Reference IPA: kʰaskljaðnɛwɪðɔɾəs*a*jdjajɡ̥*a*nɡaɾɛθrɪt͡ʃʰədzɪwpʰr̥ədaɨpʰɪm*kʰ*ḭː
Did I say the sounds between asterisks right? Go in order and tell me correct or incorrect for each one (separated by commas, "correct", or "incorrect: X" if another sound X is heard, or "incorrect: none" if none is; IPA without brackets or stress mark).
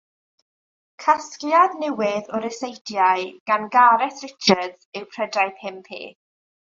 incorrect: e, correct, incorrect: pʰ